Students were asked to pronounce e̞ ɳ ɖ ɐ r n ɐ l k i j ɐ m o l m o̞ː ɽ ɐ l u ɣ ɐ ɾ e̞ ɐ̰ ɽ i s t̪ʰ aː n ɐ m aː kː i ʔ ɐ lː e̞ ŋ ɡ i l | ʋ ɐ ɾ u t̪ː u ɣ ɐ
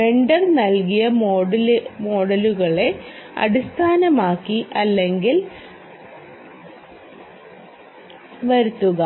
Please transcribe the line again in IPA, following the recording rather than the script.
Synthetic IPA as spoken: e̞ ɳ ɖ ɐ r n ɐ l k i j ɐ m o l m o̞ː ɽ ɐ l u ɣ ɐ ɭ e̞ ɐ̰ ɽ i s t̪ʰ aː n ɐ m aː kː i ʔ ɐ lː e̞ ŋ ɡ i l | ʋ ɐ ɾ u t̪ː u ɣ ɐ

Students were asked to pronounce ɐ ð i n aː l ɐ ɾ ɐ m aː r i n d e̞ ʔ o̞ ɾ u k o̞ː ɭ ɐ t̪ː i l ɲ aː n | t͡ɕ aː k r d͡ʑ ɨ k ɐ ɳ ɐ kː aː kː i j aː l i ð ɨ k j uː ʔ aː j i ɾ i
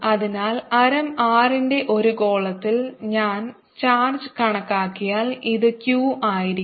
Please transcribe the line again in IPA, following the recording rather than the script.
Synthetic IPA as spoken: ɐ ð i n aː l ɐ ɾ ɐ m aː r i n d e̞ ʔ o̞ ɾ u k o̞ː ɭ ɐ t̪ː i l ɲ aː n | t͡ɕ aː r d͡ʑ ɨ k ɐ ɳ ɐ kː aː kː i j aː l i ð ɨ k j uː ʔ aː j i ɾ i

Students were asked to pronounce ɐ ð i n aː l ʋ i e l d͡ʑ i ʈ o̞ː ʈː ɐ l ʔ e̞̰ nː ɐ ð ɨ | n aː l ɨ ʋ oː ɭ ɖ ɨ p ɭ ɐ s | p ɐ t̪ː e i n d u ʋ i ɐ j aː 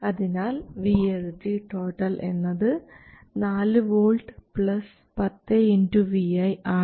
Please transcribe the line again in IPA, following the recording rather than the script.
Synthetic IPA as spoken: ɐ ð i n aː l ʋ i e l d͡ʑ i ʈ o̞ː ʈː ɐ l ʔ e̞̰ nː ɐ ð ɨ | n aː l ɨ ʋ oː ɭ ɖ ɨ p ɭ ɐ s | p ɐ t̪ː e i n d u ʋ i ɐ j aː

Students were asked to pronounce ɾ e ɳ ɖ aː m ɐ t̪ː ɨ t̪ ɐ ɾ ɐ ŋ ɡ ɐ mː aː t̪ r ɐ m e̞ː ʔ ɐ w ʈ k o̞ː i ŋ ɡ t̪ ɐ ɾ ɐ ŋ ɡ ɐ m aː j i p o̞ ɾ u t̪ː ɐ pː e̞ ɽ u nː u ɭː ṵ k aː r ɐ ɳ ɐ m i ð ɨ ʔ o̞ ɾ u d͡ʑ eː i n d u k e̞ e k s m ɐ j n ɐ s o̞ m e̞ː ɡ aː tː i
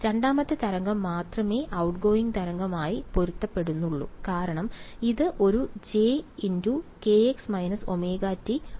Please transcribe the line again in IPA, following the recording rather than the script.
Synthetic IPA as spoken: ɾ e ɳ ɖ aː m ɐ t̪ː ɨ t̪ ɐ ɾ ɐ ŋ ɡ ɐ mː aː t̪ r ɐ m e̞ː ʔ ɐ w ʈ ɡ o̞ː i ŋ ɡ t̪ ɐ ɾ ɐ ŋ ɡ ɐ m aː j i p o̞ ɾ u t̪ː ɐ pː e̞ ɽ u nː u ɭː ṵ k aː ɾ ɐ ɳ ɐ m i ð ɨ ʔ o̞ ɾ u d͡ʑ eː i n d u k e̞ e k s m ɐ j n ɐ s o̞ m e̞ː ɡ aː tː i

